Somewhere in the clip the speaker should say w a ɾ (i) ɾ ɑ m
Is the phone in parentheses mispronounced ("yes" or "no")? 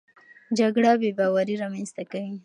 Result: no